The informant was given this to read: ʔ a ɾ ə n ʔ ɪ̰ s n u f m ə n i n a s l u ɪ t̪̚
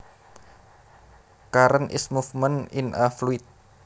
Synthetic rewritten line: k a ɾ ə n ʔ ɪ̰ s m u f m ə n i n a f l u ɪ t̪̚

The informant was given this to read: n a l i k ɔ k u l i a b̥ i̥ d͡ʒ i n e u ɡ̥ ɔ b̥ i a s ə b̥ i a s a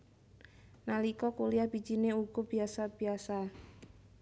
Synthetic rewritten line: n a l i k ɔ k u l i a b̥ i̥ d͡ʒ i n e u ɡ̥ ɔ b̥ i a s a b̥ i a s a

